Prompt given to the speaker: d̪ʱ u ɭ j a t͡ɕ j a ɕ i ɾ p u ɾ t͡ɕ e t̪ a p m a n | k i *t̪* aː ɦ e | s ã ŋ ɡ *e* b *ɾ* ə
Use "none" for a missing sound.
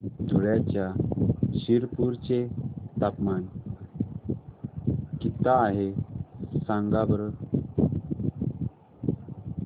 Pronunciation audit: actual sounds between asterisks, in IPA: t̪, a, ɾ

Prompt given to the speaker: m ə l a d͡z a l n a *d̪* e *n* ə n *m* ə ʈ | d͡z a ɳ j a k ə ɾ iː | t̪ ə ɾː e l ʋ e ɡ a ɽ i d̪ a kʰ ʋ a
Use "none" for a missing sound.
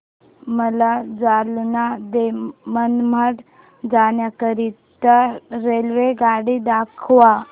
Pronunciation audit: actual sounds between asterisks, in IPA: d̪, m, m

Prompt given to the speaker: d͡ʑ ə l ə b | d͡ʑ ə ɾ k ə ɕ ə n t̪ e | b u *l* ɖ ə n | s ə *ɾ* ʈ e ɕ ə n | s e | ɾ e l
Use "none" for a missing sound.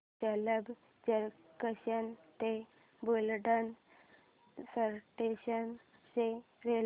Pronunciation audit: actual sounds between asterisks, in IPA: l, ɾ

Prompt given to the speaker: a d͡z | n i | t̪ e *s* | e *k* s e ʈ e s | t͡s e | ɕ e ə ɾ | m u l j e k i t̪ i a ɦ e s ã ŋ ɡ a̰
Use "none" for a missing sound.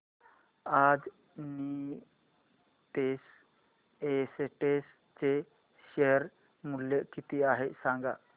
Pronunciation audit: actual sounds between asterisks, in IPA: s, none

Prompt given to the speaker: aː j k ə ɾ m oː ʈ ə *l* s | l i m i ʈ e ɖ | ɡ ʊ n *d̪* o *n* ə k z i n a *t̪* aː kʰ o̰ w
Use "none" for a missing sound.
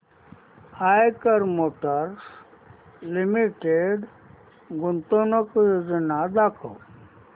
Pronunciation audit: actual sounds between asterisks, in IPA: ɾ, t̪, n, d̪

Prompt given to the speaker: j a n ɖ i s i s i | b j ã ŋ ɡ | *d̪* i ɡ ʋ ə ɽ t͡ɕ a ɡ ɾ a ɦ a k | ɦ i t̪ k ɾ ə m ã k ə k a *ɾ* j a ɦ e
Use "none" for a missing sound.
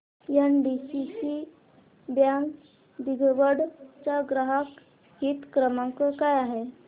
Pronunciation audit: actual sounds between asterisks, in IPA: d̪, none

